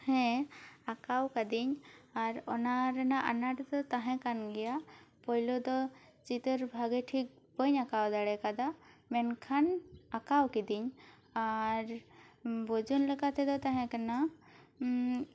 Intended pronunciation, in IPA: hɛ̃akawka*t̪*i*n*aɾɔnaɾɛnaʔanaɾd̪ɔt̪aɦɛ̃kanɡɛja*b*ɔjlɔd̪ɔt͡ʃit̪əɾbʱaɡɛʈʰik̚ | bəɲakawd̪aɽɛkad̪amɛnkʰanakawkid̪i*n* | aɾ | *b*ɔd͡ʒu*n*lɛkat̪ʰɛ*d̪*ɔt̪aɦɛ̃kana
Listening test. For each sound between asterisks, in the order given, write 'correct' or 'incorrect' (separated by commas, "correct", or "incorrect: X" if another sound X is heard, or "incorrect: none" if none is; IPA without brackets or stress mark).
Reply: incorrect: d̪, incorrect: ɲ, incorrect: p, incorrect: ɲ, correct, correct, correct